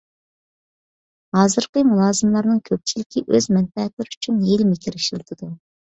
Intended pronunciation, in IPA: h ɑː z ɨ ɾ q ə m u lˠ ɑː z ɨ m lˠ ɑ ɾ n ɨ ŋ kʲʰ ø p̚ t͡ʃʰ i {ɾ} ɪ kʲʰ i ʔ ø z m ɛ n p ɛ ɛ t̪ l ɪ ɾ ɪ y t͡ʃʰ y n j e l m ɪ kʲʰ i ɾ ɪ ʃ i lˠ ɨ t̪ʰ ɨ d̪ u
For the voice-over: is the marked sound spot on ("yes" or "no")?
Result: no